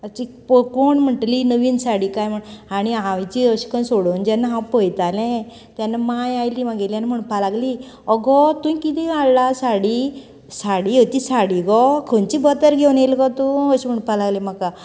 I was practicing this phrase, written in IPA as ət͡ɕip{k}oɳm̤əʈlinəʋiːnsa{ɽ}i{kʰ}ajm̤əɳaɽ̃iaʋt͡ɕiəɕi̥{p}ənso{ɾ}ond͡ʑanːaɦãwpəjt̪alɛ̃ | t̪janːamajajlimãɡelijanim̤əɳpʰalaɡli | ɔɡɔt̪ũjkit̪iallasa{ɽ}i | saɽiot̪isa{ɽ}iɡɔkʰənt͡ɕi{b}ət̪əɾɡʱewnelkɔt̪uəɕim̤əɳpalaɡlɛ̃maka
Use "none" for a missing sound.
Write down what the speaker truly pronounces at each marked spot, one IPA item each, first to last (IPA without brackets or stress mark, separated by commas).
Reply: k, ɽ, k, k, ɽ, ɽ, ɽ, b